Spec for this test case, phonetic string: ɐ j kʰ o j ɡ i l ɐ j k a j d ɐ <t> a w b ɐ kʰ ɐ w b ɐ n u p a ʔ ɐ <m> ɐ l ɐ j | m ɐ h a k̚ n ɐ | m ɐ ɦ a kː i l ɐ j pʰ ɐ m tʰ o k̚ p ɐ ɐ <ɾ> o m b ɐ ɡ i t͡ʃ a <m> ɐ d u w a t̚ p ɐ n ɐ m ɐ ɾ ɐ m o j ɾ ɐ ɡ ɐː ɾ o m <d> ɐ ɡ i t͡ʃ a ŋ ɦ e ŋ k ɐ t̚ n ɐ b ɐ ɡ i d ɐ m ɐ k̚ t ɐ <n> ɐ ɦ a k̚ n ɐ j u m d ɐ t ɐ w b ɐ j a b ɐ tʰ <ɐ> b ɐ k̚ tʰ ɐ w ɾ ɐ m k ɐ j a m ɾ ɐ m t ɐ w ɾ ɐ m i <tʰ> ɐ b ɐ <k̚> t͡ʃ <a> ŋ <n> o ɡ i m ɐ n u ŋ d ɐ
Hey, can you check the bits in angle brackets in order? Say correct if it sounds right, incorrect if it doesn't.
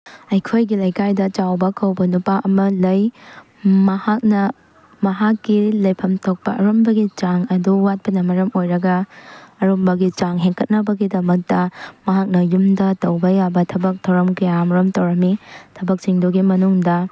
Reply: incorrect: t͡ʃ, correct, correct, incorrect: ŋ, incorrect: b, incorrect: m, correct, correct, correct, incorrect: i, incorrect: d

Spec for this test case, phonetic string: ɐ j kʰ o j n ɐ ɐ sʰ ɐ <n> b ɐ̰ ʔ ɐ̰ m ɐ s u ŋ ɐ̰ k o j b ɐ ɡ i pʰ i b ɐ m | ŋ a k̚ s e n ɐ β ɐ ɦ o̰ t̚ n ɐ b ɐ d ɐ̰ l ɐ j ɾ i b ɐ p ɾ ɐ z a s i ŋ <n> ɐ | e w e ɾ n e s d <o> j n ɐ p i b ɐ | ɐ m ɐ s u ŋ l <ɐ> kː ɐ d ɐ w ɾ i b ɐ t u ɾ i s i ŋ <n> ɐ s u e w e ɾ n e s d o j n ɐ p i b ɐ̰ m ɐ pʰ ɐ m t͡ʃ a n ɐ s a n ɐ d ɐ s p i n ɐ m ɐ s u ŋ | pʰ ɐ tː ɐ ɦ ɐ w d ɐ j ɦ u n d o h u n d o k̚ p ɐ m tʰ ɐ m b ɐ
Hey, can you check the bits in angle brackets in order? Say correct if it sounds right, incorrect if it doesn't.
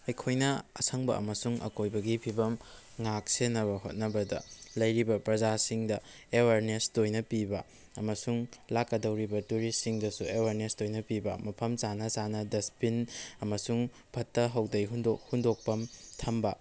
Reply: incorrect: ŋ, incorrect: d, correct, incorrect: a, incorrect: d

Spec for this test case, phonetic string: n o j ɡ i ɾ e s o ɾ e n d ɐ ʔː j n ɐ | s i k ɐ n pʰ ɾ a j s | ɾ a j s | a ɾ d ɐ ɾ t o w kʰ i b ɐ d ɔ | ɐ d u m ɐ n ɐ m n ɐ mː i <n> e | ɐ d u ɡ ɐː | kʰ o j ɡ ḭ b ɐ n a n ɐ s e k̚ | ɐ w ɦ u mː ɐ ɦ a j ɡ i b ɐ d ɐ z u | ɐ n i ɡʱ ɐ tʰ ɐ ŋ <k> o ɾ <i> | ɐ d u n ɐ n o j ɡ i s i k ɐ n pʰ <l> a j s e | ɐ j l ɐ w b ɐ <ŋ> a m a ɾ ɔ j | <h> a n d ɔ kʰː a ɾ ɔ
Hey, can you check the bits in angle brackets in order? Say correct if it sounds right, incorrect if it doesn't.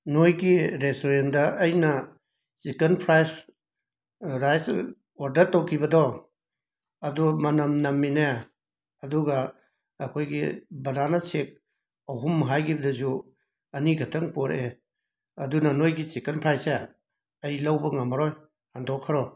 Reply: correct, incorrect: p, incorrect: e, incorrect: ɾ, correct, correct

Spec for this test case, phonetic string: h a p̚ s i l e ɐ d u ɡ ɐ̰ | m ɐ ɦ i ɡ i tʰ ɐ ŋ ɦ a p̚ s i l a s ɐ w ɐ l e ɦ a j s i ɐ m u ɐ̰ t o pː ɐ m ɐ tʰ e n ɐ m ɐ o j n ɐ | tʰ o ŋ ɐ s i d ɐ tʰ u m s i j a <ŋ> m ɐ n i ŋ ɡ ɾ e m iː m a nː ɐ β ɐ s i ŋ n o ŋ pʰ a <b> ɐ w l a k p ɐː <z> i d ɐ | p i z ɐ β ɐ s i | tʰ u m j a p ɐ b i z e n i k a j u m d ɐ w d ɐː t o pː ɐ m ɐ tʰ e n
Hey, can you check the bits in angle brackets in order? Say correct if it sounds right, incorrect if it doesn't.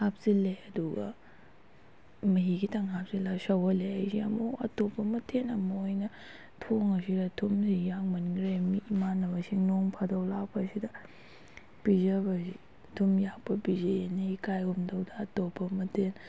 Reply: correct, incorrect: d, incorrect: s

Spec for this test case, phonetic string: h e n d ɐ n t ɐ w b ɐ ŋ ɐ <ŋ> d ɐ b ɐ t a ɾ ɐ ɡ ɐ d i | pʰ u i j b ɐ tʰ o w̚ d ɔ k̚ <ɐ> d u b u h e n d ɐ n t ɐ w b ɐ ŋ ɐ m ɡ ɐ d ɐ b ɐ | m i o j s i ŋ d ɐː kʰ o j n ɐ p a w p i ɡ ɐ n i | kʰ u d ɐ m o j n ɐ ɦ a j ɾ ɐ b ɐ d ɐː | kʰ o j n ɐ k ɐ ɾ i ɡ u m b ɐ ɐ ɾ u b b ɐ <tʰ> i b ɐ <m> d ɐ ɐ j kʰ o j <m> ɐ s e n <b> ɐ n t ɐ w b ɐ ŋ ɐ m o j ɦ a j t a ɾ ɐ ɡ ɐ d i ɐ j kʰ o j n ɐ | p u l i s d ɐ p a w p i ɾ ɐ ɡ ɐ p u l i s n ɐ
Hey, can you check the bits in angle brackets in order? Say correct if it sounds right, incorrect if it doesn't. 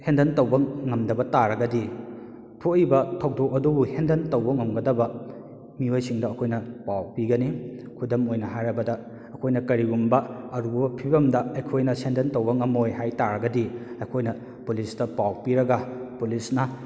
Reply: incorrect: m, correct, incorrect: pʰ, correct, incorrect: n, incorrect: d

